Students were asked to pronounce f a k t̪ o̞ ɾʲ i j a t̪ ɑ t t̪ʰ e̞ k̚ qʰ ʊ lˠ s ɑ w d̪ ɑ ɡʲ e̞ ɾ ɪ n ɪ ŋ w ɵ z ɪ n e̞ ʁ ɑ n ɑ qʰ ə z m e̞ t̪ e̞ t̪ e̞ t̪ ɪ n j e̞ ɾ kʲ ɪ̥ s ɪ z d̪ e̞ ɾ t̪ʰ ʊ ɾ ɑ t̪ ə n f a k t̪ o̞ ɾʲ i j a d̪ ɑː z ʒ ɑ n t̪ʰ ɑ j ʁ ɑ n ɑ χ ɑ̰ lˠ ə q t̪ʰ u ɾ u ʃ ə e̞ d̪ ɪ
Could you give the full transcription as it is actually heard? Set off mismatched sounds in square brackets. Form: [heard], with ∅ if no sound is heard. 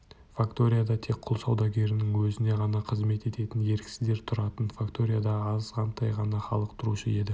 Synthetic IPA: f a k t̪ o̞ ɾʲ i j a [d̪] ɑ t t̪ʰ e̞ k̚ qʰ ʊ lˠ s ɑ w d̪ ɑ ɡʲ e̞ ɾ ɪ n ɪ ŋ w ɵ z ɪ n e̞ ʁ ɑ n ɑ qʰ ə z m e̞ t̪ e̞ t̪ e̞ t̪ ɪ n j e̞ ɾ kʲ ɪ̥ s ɪ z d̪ e̞ ɾ t̪ʰ ʊ ɾ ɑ t̪ ə n f a k t̪ o̞ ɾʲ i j a d̪ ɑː z [ʁ] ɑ n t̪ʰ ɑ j ʁ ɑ n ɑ χ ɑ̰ lˠ ə q t̪ʰ [ʊ] ɾ u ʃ ə e̞ d̪ ɪ